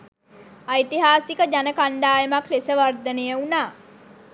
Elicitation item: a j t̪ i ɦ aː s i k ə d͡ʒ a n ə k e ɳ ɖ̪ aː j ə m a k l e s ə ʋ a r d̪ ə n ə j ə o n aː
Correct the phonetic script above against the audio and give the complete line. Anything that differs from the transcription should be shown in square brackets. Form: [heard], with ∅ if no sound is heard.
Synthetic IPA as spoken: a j t̪ i ɦ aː s i k ə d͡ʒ a n ə k [a] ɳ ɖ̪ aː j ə m a k l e s ə ʋ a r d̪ ə n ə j ə [u] n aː